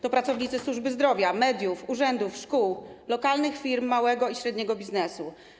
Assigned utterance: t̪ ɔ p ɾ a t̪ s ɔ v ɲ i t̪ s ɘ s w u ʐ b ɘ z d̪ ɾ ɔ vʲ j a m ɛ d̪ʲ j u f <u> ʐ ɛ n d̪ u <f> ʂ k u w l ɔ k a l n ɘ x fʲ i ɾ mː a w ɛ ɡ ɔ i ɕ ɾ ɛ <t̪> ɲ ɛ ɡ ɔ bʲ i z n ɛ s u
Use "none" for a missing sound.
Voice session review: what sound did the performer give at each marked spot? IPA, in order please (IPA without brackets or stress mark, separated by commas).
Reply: u, f, d̪